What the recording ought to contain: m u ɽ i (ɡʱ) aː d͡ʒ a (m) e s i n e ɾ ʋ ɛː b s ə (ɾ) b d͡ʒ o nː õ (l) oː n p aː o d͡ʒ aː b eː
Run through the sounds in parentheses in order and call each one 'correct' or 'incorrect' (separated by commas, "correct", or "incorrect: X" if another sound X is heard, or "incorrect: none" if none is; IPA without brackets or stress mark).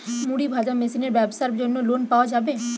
incorrect: bʱ, correct, correct, correct